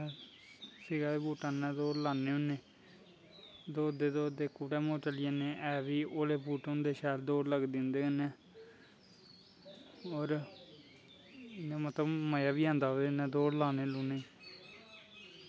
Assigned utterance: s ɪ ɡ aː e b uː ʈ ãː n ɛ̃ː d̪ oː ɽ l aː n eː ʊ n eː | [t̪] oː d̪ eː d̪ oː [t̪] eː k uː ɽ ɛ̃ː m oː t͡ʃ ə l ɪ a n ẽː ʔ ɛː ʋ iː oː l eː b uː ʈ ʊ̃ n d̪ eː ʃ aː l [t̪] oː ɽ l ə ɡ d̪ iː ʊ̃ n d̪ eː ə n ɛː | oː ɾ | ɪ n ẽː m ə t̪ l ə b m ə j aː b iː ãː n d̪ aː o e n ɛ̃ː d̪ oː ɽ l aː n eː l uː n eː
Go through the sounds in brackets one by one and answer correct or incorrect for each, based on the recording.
incorrect, incorrect, incorrect

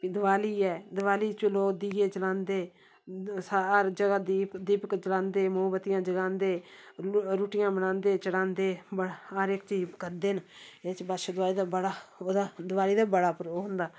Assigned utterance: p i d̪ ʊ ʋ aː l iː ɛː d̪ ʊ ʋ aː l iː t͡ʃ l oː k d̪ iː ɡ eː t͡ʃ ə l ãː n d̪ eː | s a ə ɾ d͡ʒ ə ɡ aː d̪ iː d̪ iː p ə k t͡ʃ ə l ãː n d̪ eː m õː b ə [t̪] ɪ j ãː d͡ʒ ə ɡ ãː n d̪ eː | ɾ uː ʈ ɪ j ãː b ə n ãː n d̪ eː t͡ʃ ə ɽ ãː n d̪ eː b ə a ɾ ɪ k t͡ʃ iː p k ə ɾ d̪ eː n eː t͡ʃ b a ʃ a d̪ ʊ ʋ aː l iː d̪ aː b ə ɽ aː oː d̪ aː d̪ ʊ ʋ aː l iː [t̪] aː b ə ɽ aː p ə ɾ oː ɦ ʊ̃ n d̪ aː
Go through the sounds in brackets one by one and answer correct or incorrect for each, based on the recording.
correct, incorrect

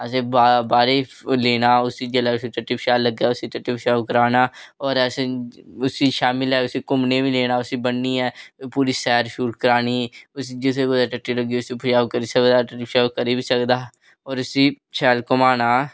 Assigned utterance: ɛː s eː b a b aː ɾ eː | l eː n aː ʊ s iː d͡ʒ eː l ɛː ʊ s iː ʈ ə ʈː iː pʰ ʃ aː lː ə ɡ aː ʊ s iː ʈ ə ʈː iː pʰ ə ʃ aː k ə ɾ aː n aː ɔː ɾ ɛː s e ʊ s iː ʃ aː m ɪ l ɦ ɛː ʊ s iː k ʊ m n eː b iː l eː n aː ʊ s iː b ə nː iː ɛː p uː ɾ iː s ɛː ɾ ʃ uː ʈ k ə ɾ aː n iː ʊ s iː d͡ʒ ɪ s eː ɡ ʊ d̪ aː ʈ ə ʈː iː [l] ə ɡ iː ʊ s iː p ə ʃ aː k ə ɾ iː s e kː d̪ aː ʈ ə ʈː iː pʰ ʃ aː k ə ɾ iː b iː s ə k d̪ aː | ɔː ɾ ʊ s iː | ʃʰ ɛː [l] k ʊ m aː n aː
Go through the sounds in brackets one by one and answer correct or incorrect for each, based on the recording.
correct, correct

